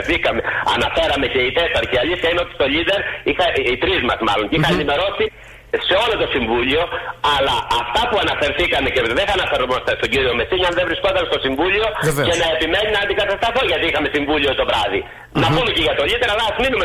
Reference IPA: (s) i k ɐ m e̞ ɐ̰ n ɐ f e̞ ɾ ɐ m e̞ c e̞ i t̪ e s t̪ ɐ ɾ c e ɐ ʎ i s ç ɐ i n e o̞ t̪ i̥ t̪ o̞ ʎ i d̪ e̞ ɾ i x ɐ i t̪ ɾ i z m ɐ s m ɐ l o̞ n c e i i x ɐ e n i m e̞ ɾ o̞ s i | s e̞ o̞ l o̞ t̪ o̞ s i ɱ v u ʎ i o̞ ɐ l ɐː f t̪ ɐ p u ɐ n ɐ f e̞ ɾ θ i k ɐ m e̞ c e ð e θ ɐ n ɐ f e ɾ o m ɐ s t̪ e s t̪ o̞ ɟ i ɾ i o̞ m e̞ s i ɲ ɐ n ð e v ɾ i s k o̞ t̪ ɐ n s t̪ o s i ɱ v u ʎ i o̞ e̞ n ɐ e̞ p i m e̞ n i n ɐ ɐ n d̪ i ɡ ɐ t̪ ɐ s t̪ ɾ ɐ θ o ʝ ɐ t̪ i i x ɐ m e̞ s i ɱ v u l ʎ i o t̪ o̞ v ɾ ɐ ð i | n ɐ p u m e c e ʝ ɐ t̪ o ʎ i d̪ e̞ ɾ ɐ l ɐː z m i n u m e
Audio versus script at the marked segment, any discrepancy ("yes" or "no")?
yes